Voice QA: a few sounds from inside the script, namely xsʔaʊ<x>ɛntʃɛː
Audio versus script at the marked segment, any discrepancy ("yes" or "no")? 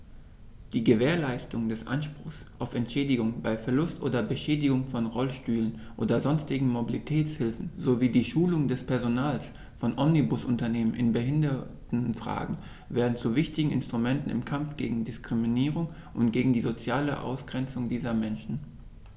yes